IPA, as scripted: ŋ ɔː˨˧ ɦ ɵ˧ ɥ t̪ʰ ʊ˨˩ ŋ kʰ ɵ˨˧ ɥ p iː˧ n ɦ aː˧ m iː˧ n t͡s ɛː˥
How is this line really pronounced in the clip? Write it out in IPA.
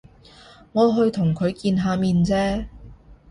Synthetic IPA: ŋ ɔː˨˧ ɦ ɵ˧ ɥ t̪ʰ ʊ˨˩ ŋ kʰ ɵ˨˧ ɥ k iː˧ n ɦ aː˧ m iː˧ n t͡s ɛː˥